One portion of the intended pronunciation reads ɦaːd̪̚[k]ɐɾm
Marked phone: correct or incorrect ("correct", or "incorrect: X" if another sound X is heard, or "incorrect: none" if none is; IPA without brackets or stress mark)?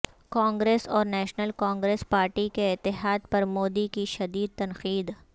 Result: incorrect: p